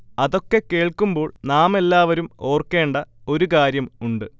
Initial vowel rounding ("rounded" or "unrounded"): unrounded